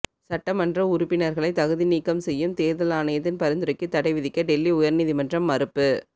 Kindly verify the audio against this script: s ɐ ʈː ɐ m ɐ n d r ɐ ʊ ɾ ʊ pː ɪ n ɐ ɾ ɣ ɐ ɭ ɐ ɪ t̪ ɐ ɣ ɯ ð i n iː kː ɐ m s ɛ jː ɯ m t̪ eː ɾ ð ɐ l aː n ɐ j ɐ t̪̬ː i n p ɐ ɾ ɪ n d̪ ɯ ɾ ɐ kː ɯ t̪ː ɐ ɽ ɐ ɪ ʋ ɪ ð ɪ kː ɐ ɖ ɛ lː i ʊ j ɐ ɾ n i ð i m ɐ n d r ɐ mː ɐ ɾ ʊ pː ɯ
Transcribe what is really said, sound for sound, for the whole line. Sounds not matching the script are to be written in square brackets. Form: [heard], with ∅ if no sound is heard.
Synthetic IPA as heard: s ɐ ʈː ɐ m ɐ n d r ɐ ʊ ɾ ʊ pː ɪ n ɐ ɾ ɣ ɐ ɭ ɐ ɪ t̪ ɐ ɣ ɯ ð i n iː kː ɐ m s ɛ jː ɯ m t̪ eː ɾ ð ɐ l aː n ɐ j ɐ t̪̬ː [ɪ] n p ɐ ɾ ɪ n d̪ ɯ ɾ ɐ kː ɯ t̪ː ɐ ɽ ɐ ɪ ʋ ɪ ð ɪ kː ɐ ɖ ɛ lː i ʊ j ɐ ɾ n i ð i m ɐ n d r ɐ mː ɐ ɾ [ɯ] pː ɯ